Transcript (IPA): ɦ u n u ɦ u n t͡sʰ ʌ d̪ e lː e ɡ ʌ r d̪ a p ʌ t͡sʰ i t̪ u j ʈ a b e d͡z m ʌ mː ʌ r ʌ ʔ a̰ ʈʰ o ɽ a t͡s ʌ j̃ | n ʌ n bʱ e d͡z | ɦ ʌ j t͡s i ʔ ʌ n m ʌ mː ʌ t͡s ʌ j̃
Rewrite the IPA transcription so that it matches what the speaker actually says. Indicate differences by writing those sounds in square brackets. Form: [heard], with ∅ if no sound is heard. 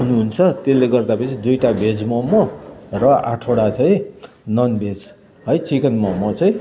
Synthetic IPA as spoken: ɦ u n u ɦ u n t͡sʰ ʌ [t̪] e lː e ɡ ʌ r d̪ a p ʌ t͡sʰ i [d̪] u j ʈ a b e d͡z m ʌ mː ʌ r ʌ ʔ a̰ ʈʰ o ɽ a t͡s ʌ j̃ | n ʌ n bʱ e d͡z | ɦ ʌ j t͡s i [k] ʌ n m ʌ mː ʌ t͡s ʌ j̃